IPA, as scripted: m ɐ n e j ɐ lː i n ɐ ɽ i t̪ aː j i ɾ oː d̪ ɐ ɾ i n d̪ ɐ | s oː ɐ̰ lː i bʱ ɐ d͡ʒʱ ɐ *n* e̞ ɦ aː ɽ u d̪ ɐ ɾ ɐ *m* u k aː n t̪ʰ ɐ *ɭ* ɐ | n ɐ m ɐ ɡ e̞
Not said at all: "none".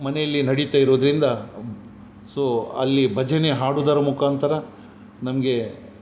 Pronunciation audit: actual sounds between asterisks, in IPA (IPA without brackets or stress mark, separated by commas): n, m, ɾ